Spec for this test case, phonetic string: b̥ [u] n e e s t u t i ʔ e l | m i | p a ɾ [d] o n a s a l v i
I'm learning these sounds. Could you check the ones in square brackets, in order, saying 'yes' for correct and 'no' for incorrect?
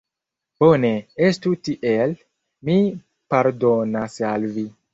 no, yes

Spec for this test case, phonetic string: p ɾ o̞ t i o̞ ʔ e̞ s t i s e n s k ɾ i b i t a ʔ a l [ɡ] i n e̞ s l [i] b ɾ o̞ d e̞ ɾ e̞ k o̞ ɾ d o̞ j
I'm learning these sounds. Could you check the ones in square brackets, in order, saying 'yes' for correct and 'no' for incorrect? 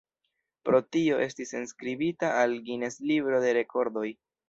yes, yes

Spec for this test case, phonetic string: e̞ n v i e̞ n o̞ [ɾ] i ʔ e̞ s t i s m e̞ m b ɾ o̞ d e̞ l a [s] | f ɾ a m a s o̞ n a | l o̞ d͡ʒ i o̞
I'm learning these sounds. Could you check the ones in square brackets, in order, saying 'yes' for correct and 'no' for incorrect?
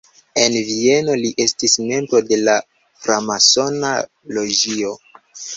no, no

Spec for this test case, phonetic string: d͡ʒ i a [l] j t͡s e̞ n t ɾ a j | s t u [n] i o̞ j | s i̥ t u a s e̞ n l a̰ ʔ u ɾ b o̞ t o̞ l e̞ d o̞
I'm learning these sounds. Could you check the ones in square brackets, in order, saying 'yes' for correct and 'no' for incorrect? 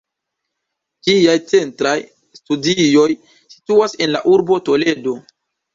no, no

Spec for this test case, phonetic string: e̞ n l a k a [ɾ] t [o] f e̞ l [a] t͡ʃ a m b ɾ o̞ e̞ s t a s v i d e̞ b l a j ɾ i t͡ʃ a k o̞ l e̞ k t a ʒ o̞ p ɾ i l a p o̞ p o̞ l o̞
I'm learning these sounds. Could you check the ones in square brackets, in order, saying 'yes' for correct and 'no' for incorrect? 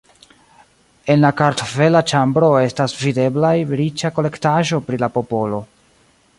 yes, yes, yes

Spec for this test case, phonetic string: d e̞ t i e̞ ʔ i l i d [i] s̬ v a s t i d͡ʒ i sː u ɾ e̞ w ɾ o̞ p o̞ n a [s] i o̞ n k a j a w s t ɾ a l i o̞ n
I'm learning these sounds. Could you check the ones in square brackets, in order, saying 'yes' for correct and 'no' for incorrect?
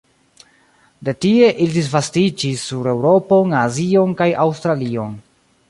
yes, no

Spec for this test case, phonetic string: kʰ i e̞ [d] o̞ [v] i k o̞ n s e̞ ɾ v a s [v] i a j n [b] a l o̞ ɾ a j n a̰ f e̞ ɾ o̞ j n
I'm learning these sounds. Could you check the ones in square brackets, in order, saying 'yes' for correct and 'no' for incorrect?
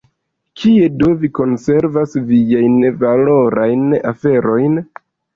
yes, yes, yes, no

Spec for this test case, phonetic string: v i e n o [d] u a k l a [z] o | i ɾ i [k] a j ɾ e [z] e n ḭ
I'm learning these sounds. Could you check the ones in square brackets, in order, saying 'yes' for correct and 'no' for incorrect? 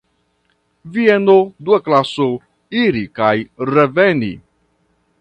yes, no, yes, no

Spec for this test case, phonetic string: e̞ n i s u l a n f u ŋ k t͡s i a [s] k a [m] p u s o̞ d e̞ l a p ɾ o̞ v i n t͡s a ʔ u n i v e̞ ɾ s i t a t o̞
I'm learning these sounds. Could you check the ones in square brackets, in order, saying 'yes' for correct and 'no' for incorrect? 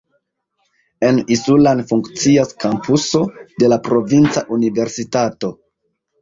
yes, yes

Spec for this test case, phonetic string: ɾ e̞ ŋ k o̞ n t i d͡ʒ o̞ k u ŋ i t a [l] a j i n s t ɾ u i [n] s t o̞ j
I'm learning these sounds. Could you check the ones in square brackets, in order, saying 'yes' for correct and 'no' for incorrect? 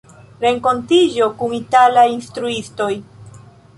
yes, no

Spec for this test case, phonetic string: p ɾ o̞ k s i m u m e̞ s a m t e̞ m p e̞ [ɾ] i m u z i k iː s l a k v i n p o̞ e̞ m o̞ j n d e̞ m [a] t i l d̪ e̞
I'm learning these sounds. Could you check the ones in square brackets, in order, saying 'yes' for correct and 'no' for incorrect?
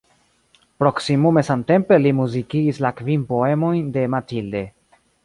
no, yes

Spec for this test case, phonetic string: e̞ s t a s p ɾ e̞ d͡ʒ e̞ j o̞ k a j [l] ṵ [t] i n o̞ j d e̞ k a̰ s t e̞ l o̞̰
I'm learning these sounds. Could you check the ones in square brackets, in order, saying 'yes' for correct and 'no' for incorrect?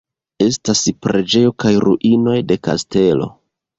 no, no

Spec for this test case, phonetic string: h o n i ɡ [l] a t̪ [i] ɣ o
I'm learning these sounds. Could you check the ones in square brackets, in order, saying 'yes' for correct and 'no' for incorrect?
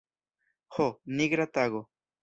no, no

